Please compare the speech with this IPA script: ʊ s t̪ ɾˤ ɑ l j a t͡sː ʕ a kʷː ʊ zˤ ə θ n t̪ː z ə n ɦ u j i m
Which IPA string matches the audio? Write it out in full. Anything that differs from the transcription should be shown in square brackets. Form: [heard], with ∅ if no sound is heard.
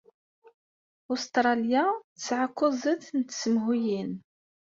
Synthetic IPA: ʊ s t̪ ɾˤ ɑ l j a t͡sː ʕ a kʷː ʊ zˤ ə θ n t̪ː [s] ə [m] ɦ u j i [n]